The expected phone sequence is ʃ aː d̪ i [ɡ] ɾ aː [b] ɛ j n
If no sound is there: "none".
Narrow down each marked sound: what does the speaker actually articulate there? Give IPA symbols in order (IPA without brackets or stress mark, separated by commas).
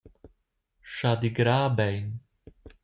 ɡ, b